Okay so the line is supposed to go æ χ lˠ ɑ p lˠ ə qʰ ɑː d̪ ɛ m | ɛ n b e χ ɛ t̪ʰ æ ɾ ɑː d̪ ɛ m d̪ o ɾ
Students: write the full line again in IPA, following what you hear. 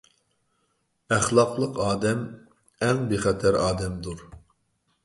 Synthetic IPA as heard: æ χ lˠ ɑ q lˠ ə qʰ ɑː d̪ ɛ m | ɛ ŋ b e χ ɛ t̪ʰ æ ɾ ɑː d̪ ɛ m d̪ u ɾ